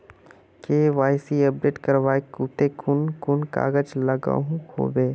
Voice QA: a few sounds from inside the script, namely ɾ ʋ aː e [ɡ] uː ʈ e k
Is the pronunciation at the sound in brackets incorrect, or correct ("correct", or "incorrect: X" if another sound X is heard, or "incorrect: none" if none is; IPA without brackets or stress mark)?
incorrect: k